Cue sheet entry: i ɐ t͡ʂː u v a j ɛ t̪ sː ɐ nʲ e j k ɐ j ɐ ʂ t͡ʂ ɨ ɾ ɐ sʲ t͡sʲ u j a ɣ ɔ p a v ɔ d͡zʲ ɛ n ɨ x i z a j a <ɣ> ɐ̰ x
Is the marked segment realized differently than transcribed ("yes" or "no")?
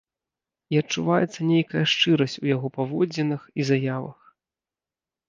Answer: yes